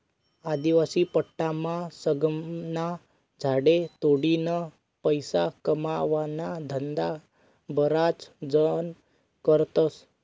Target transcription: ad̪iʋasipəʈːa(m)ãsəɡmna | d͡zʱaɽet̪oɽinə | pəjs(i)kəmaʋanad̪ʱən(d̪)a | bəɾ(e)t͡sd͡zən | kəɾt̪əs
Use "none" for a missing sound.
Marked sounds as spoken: m, a, d̪, a

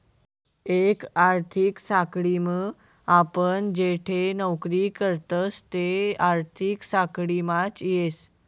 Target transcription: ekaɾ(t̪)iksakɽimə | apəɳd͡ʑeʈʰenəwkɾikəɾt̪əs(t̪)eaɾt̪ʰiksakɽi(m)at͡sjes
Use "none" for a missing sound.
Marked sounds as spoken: t̪ʰ, t̪, m

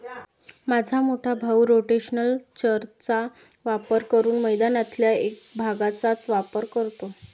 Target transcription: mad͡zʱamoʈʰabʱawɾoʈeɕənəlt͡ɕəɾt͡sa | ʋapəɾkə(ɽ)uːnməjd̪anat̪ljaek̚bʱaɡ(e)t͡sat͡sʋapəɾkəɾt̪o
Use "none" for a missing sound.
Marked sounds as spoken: ɾ, a

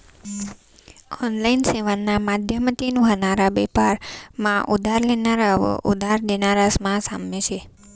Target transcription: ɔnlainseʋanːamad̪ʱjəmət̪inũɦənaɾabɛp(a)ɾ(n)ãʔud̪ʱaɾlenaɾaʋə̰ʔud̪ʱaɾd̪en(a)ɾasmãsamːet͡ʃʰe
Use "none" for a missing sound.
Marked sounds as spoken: a, m, a

